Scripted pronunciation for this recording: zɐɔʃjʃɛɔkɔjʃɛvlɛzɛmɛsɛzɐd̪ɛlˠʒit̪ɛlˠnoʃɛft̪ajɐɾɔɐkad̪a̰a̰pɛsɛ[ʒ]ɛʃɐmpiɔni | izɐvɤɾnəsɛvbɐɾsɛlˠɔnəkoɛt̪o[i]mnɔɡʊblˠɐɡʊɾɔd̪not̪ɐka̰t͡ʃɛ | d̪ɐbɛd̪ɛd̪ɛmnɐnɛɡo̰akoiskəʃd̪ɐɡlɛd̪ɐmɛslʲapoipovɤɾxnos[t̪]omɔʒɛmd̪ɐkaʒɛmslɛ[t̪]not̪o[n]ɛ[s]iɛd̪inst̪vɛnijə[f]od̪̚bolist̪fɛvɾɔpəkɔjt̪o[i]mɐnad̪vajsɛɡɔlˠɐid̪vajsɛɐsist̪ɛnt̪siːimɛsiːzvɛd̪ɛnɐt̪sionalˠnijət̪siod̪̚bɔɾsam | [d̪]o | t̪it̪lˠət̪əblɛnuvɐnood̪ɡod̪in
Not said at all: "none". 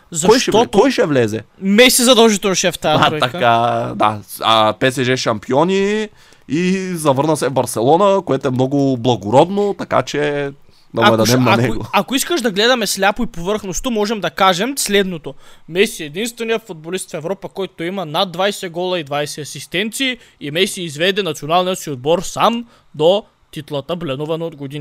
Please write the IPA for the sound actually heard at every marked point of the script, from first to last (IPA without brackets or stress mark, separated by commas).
ʒ, ɛ, t̪, d̪, m, s, f, i, d̪